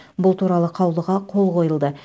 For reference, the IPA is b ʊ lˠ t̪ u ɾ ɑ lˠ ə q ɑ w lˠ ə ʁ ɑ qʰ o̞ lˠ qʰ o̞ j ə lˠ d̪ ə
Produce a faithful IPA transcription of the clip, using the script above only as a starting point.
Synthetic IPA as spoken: b ʊ lˠ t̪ u ɾ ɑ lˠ ə qʰ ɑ w lˠ ə ʁ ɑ qʰ o̞ lˠ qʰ o̞ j ə lˠ d̪ ə